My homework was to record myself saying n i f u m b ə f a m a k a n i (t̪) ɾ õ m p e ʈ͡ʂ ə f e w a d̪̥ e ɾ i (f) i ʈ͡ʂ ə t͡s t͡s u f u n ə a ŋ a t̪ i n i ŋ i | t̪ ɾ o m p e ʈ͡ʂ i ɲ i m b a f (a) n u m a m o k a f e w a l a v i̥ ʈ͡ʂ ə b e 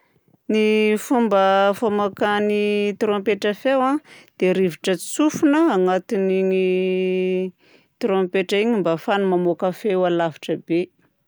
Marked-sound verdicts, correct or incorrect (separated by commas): correct, incorrect, correct